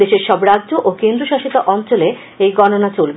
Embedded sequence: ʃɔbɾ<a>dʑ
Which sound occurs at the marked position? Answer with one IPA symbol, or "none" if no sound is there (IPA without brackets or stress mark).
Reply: a